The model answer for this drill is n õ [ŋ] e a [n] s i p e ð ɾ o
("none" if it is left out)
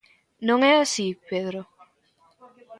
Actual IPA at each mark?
ŋ, none

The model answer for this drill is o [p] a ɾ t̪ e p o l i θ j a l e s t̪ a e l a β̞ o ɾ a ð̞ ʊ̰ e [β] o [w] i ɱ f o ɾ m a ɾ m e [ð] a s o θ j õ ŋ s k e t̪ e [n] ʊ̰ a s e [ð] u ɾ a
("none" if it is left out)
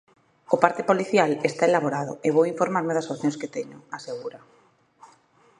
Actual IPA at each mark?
p, β, w, ð, ɲ, ɣ

